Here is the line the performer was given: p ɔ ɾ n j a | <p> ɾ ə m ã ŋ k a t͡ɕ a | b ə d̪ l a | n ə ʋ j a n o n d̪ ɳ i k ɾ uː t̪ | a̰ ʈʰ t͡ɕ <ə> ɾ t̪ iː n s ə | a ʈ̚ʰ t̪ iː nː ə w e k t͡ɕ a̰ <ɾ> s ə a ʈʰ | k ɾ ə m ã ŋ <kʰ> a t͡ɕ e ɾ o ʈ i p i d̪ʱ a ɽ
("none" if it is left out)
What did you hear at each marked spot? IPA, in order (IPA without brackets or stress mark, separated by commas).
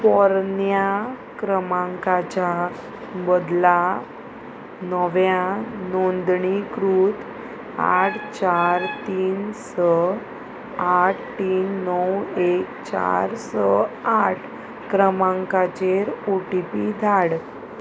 k, a, ɾ, k